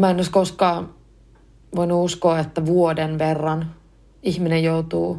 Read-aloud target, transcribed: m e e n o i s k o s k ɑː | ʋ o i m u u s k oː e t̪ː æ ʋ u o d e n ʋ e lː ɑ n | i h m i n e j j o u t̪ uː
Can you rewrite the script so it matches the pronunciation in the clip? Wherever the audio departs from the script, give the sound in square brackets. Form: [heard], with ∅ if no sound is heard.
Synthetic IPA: m [æ] e n o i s k o s k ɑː | ʋ o i [n] u u s k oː e t̪ː æ ʋ u o d e n ʋ e [rː] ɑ n | i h m i n e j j o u t̪ uː